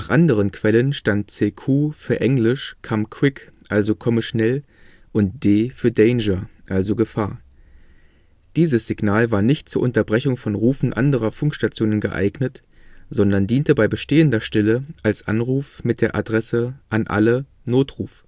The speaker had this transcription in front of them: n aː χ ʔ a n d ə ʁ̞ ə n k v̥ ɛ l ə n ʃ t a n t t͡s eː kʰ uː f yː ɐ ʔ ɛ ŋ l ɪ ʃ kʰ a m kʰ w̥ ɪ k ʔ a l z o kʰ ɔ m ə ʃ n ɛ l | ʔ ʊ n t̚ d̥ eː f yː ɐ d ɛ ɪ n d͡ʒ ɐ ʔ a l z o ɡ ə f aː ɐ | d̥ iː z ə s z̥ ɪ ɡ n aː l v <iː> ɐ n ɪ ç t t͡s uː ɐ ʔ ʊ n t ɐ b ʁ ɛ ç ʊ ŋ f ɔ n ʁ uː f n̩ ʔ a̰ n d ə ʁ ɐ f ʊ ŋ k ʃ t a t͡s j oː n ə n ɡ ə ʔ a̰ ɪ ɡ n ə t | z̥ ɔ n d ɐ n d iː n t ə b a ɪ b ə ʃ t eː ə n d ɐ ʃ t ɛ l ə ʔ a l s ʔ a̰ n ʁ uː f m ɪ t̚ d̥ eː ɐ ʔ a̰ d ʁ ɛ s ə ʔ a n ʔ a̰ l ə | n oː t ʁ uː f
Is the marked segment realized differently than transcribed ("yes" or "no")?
yes